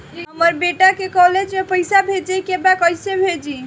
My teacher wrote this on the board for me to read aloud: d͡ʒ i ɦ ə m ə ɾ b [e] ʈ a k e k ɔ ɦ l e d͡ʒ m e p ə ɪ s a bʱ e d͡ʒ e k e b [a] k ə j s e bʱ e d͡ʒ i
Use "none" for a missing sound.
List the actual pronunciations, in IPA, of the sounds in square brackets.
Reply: e, a

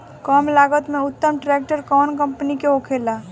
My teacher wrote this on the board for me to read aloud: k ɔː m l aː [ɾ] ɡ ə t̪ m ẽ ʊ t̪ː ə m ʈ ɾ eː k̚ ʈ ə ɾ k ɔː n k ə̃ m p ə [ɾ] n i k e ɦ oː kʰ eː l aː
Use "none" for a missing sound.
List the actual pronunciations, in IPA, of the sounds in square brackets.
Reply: none, none

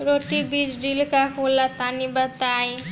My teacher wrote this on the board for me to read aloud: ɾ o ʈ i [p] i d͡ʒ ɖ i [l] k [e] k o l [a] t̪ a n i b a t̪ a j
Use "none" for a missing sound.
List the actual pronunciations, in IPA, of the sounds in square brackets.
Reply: b, l, a, a

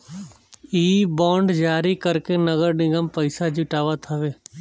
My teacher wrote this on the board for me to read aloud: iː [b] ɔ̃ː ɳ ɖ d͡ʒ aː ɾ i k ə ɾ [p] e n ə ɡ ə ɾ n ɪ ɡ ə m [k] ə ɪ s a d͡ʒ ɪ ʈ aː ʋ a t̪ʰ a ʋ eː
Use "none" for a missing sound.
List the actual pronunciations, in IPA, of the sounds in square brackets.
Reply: b, k, p

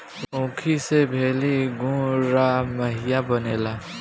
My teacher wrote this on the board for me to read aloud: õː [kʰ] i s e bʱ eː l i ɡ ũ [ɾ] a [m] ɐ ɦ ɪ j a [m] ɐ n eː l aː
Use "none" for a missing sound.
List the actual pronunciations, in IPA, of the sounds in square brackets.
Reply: kʰ, ɾ, m, b

